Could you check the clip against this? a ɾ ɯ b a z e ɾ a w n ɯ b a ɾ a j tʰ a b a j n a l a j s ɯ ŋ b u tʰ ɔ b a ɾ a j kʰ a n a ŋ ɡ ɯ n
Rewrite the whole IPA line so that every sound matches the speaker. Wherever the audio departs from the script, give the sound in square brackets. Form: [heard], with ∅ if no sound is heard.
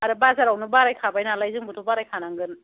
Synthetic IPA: a ɾ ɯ b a z [a] ɾ a w n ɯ b a ɾ a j [kʰ] a b a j n a l a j [z] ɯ ŋ b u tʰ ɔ b a ɾ a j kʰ a n a ŋ ɡ ɯ n